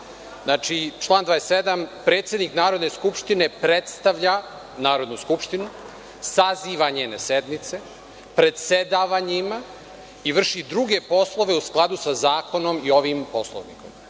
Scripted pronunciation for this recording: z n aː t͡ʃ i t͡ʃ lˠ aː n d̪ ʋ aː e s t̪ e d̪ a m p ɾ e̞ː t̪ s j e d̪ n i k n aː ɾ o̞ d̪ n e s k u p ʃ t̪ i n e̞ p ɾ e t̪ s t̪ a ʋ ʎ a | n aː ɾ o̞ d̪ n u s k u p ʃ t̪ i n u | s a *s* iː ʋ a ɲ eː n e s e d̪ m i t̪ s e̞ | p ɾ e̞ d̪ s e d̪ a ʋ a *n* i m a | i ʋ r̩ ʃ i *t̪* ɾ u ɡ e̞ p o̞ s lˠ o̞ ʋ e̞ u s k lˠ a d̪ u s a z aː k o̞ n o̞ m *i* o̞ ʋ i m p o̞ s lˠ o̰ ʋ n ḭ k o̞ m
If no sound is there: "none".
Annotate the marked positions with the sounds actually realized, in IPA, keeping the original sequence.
z, ɲ, d̪, i

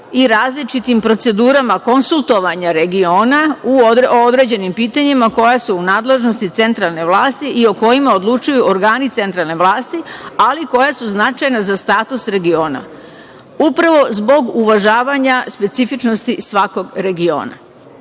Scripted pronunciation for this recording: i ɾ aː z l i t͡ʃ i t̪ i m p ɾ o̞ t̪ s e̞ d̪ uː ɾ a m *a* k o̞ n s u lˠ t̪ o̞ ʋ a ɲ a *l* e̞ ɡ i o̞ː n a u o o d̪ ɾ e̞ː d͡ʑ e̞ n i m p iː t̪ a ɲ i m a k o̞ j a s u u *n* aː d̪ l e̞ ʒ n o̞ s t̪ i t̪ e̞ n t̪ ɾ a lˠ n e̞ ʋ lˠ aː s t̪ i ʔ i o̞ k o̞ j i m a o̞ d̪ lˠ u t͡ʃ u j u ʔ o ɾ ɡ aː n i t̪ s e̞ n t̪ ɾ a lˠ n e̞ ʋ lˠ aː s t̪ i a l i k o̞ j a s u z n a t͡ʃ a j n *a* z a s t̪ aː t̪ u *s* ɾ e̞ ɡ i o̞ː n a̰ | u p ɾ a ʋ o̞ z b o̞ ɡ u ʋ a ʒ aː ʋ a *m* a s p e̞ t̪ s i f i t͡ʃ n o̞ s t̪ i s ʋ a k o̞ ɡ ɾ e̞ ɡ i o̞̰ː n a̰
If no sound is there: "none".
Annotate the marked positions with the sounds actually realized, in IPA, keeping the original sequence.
a, ɾ, n, a, s, ɲ

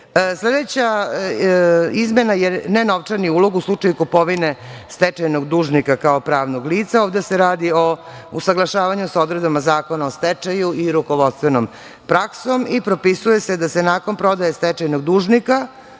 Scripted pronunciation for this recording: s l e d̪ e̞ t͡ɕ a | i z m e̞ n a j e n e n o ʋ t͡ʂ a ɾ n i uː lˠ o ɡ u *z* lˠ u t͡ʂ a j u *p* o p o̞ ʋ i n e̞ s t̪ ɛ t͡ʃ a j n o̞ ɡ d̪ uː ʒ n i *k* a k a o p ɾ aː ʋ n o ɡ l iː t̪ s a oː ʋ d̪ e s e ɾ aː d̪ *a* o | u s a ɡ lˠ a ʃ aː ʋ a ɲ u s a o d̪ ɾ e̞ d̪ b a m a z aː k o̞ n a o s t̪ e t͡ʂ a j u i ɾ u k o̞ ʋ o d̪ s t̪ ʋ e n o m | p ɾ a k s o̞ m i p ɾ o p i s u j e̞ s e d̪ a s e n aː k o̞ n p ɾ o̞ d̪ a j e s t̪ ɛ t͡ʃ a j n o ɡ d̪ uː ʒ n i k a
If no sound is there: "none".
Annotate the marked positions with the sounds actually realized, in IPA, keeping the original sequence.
s, k, k, i

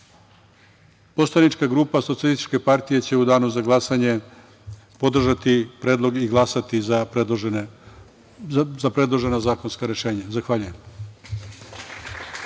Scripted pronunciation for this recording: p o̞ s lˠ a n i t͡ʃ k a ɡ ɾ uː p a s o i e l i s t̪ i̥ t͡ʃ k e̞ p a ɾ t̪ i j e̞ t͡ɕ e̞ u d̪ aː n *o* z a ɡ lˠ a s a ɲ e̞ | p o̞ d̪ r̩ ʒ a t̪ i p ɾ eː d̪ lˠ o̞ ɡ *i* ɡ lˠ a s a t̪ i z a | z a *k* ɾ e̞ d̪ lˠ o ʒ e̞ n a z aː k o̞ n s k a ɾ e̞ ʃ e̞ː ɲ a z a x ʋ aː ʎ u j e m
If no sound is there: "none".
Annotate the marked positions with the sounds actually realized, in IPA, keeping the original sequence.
u, i, p

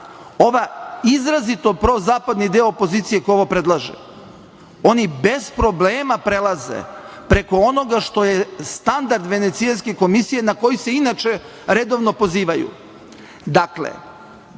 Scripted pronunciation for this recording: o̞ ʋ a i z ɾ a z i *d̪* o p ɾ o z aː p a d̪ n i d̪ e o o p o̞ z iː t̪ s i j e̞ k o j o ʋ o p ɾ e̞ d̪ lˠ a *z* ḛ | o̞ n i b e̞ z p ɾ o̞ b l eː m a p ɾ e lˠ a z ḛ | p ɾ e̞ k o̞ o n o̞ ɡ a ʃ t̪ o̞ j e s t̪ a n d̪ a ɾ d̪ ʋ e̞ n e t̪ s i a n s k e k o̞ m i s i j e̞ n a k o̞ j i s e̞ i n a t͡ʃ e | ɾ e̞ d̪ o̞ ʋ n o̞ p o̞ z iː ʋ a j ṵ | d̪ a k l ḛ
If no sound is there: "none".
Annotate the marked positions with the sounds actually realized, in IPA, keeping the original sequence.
t̪, ʒ

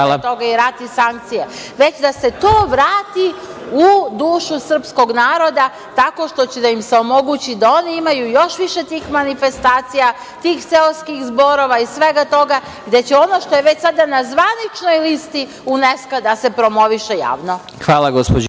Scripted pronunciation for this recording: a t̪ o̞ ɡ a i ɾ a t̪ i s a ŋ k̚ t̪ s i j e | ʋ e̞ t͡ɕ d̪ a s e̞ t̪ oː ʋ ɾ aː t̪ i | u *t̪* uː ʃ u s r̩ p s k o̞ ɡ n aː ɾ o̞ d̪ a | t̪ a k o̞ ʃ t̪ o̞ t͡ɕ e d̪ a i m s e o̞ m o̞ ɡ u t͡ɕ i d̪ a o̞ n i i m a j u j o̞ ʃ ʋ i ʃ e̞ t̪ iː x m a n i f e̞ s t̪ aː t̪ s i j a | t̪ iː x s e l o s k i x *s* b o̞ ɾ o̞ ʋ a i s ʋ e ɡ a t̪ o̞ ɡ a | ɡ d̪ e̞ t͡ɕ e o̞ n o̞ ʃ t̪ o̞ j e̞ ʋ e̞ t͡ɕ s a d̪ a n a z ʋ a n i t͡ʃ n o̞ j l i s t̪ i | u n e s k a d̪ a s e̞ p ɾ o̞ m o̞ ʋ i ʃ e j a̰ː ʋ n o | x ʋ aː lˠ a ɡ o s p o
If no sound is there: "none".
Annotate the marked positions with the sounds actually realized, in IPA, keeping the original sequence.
d̪, z

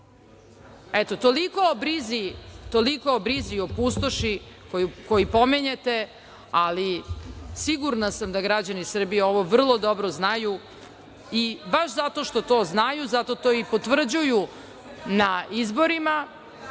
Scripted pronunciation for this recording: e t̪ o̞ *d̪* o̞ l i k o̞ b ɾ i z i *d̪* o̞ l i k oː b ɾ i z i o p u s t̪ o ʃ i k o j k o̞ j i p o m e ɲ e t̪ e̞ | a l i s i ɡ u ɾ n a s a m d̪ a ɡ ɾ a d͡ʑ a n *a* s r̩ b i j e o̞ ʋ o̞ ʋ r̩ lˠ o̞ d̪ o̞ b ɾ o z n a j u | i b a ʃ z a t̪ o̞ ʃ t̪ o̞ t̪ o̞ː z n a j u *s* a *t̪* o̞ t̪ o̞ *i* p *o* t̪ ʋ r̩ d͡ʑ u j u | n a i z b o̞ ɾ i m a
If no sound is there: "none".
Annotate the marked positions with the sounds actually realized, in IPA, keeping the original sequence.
t̪, t̪, i, z, t̪, i, o

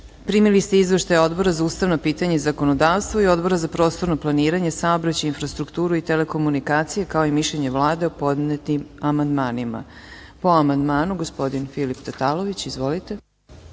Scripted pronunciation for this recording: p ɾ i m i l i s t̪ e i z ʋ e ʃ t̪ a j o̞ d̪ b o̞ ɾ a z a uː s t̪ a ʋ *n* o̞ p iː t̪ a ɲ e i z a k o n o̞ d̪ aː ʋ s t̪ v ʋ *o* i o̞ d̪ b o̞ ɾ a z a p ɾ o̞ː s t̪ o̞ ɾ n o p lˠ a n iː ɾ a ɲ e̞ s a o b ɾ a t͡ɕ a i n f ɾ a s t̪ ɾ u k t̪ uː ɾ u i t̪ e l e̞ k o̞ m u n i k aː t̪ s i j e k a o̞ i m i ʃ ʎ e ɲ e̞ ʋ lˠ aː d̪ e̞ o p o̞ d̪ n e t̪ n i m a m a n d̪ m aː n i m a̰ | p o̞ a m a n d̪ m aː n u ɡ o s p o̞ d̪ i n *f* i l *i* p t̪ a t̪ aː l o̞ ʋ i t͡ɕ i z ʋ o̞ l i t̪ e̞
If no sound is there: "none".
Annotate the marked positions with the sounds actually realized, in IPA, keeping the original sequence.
n, o, f, i

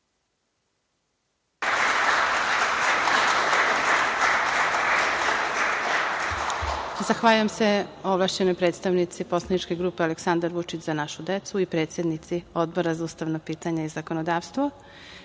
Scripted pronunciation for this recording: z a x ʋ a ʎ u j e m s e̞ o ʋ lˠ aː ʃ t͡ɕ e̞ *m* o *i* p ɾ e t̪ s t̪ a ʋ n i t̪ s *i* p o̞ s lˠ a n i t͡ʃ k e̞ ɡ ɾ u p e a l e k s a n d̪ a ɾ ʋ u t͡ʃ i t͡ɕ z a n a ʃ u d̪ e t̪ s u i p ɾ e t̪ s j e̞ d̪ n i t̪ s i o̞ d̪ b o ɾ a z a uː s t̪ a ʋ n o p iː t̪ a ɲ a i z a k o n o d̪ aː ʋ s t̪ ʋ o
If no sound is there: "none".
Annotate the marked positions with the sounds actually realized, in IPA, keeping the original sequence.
n, j, i

